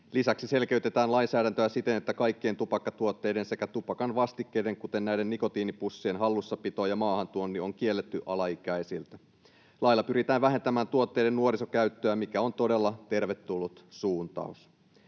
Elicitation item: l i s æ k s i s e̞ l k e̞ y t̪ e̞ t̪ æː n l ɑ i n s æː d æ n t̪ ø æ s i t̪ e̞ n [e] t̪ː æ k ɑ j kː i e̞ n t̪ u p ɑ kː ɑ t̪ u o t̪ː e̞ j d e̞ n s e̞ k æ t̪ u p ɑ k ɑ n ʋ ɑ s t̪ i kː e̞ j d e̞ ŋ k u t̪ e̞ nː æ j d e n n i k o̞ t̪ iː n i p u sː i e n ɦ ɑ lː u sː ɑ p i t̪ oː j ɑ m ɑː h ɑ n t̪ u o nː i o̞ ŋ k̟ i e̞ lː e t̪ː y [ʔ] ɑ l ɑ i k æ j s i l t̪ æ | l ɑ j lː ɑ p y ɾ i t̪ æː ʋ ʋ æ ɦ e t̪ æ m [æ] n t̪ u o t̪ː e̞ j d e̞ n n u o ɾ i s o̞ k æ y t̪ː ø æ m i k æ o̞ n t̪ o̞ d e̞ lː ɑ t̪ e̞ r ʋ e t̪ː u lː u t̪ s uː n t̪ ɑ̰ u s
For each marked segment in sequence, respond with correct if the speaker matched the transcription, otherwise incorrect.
correct, correct, incorrect: æː

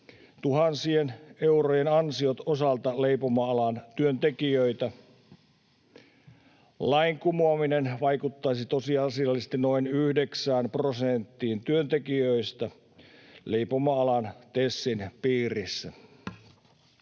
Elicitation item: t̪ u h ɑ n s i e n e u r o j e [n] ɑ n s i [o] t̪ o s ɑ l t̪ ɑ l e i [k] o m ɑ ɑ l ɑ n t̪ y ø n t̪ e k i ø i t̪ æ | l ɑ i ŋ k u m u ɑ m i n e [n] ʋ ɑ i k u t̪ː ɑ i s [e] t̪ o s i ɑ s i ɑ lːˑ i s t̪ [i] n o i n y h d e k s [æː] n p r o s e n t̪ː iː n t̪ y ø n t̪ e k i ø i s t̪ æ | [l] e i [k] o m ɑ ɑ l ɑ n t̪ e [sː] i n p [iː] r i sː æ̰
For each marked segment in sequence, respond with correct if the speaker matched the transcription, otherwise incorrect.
correct, correct, incorrect: p, correct, incorrect: i, correct, correct, correct, incorrect: p, correct, correct

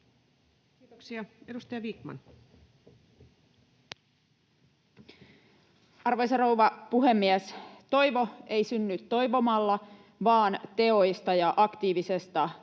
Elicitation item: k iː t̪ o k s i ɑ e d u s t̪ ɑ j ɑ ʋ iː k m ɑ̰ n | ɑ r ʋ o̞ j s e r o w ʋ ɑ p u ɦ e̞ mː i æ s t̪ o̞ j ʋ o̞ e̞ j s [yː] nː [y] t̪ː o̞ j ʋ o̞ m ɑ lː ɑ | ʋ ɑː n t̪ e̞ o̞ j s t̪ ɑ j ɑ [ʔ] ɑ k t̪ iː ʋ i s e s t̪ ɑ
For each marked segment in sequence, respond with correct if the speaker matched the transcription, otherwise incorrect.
incorrect: y, correct, correct

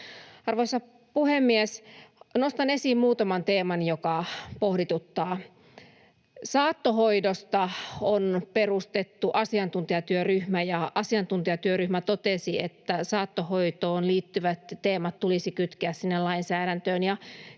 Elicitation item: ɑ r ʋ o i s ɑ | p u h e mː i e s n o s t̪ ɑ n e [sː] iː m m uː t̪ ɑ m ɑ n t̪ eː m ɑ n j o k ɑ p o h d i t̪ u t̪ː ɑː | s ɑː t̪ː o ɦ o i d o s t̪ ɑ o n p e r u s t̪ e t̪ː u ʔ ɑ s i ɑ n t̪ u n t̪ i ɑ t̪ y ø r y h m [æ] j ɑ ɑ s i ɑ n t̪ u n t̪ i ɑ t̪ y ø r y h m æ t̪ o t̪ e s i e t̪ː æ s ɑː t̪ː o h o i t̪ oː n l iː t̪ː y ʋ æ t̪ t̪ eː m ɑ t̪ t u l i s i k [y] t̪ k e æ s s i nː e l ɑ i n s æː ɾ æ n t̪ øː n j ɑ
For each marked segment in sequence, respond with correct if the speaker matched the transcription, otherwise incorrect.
incorrect: s, correct, correct

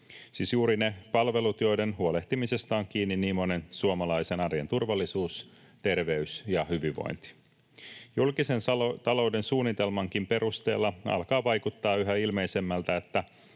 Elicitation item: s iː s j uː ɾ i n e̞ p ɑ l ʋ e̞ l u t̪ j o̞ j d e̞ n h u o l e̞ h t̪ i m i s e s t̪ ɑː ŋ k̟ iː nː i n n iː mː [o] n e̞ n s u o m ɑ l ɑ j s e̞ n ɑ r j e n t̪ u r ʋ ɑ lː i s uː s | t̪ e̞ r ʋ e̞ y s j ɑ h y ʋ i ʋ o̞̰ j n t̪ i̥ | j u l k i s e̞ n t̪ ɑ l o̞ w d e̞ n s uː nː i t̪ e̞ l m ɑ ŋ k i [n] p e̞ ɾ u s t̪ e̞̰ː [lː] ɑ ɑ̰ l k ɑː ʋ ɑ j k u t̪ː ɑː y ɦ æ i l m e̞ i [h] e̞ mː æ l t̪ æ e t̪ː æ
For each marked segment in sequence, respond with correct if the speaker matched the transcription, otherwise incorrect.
correct, incorrect: m, correct, incorrect: s

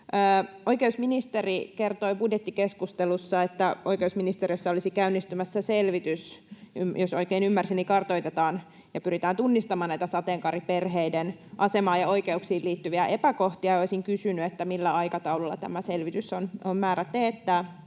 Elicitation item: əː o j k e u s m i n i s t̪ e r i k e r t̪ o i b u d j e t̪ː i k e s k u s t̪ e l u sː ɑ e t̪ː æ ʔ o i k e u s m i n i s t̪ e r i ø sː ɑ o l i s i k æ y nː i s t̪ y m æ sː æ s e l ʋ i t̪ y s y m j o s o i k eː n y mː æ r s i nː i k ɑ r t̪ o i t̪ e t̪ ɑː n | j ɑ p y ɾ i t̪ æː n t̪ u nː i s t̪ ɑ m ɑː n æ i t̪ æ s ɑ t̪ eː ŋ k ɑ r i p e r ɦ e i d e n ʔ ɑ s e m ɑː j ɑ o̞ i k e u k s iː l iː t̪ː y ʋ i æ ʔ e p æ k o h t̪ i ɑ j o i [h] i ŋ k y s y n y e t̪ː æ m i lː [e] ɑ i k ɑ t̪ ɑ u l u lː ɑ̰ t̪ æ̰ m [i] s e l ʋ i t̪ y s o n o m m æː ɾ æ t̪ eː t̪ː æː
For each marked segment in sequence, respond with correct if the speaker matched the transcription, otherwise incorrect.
incorrect: s, incorrect: æ, incorrect: æ

